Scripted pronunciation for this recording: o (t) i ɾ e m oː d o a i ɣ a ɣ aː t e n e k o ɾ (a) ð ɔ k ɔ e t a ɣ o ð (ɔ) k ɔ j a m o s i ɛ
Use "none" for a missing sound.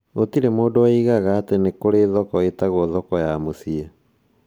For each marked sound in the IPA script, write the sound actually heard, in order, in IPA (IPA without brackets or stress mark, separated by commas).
t, e, ɔ